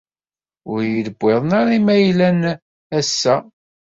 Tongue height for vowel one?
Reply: high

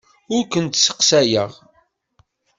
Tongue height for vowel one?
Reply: high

